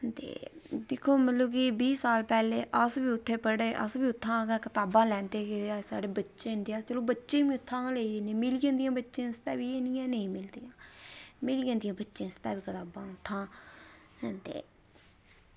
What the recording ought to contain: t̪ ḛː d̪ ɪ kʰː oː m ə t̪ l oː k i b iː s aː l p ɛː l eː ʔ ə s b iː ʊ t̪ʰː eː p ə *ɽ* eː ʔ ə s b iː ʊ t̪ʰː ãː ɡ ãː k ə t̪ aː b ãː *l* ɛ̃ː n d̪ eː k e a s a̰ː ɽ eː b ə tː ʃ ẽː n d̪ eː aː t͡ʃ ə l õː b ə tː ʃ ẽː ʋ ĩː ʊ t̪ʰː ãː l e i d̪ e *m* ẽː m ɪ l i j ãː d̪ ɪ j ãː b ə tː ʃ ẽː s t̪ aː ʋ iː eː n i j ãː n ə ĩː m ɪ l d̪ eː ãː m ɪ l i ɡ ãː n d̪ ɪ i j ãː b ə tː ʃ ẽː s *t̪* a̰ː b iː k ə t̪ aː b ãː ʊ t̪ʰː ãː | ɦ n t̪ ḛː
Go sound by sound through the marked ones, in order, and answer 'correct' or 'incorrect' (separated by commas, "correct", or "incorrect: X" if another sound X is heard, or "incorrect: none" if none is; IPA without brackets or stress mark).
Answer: correct, correct, incorrect: n, correct